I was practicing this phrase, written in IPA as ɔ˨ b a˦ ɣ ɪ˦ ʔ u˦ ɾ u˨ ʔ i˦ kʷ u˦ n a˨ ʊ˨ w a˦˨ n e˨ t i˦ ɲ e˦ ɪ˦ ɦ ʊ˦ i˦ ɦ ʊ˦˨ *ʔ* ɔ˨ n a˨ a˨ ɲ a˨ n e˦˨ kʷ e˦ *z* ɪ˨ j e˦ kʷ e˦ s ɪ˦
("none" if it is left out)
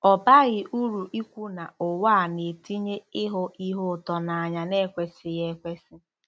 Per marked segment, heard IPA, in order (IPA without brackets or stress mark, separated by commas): t, s